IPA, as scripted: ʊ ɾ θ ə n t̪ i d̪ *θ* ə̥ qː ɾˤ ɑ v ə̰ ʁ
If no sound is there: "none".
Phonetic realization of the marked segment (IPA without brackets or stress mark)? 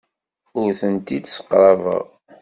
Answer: s